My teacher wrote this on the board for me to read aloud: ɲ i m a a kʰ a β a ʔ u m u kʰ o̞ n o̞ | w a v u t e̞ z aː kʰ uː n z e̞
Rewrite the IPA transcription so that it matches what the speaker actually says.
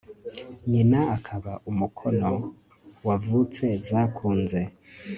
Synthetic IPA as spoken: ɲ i n a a kʰ a β a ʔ u m u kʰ o̞ n o̞ | w a v u t͡s e̞ z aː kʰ uː n z e̞

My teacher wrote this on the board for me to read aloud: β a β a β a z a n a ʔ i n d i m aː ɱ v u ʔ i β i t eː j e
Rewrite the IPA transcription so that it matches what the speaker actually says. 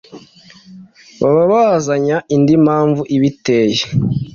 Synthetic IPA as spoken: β a β a β a z a ɲ a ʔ i n d i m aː ɱ v u ʔ i β i t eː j e

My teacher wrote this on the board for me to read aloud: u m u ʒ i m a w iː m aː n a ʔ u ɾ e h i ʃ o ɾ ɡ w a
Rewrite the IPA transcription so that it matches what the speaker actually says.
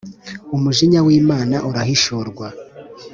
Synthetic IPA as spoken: u m u ʒ i ɲ a w iː m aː n a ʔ u ɾ a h i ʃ o ɾ ɡ w a

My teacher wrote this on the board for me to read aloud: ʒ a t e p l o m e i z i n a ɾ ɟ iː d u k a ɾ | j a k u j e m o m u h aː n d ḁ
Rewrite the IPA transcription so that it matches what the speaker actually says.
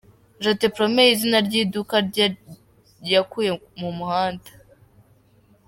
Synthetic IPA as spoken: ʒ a t e p ɾ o m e i z i n a ɾ ɟ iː d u k a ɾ | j a k u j e m u m u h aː n d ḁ

